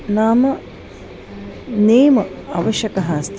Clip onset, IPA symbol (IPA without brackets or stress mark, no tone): n